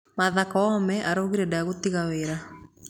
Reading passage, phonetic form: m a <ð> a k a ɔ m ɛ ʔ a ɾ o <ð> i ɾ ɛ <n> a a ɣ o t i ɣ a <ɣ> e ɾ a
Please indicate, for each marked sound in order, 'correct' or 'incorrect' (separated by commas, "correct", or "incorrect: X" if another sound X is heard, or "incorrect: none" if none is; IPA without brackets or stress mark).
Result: correct, incorrect: ɣ, incorrect: d, incorrect: w